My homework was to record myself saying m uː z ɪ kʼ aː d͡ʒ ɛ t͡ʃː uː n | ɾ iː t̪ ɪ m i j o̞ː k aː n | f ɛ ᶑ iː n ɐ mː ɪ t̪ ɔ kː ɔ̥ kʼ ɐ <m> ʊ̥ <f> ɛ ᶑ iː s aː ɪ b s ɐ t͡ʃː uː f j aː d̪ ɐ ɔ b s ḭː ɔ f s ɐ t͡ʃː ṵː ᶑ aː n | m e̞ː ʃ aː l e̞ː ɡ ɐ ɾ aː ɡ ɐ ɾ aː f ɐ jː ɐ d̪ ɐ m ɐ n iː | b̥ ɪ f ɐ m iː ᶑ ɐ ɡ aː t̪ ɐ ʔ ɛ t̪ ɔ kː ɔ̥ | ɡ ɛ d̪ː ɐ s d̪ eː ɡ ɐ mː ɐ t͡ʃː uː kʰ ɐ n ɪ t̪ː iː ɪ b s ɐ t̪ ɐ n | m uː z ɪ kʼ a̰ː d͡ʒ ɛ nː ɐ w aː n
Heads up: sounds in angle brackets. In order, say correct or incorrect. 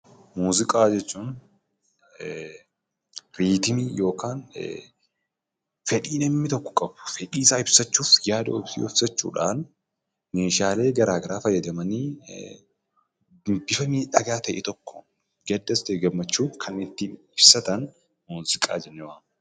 incorrect: b, correct

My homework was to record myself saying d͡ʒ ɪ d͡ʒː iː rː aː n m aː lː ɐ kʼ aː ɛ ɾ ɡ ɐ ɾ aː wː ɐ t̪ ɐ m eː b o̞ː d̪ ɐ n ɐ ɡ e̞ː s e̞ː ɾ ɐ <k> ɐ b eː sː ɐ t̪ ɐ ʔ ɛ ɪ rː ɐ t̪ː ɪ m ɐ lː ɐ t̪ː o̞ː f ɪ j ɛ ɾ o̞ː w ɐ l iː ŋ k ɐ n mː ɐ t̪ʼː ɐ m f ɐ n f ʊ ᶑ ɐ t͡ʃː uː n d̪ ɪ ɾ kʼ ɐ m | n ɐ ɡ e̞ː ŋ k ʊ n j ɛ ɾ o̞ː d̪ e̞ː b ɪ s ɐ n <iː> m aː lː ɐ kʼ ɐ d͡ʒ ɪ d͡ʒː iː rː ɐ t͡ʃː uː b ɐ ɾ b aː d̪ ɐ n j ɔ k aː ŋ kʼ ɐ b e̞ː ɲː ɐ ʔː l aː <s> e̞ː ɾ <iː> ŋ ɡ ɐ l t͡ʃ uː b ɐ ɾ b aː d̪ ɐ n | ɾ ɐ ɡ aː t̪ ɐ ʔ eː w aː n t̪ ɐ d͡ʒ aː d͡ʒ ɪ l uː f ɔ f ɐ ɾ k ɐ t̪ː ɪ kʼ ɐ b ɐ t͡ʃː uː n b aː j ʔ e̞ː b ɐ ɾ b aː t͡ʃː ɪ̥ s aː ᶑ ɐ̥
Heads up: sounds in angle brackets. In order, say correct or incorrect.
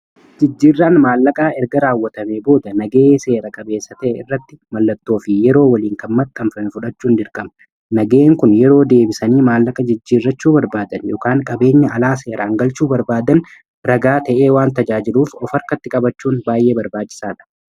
incorrect: kʼ, correct, correct, incorrect: aː

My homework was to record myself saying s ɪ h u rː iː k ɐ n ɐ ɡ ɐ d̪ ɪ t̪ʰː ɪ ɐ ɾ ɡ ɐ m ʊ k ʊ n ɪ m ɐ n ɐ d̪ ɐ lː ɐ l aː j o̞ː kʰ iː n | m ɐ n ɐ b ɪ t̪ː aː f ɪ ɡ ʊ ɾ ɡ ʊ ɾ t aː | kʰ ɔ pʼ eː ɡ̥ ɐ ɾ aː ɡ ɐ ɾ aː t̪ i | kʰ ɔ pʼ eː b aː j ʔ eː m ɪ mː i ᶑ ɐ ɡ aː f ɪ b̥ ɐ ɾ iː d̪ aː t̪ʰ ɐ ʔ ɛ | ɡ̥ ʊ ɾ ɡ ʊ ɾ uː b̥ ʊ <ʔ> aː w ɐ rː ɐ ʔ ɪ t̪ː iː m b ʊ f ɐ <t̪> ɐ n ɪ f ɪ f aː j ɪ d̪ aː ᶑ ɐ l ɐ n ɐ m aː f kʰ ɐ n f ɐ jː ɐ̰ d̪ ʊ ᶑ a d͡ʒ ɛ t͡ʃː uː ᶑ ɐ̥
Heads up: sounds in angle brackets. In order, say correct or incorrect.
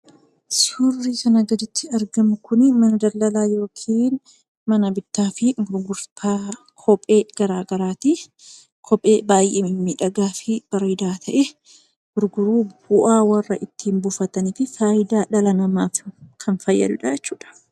correct, correct

